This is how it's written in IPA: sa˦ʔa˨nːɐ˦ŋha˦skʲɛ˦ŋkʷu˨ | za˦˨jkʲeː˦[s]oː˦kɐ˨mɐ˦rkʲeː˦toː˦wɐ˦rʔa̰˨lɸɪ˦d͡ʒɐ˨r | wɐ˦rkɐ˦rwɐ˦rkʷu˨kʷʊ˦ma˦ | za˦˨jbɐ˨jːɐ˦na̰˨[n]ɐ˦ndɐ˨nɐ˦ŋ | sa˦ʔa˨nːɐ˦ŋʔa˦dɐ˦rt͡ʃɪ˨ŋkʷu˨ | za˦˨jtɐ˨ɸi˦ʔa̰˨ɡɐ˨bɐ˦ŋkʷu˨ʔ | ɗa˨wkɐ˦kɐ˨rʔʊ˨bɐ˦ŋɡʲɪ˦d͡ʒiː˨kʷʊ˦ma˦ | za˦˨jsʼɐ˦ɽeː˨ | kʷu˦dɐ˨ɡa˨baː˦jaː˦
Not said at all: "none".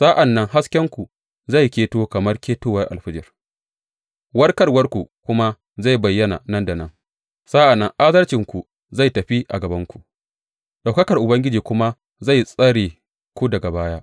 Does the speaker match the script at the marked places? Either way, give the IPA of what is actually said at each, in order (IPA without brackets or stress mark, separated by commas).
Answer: t, n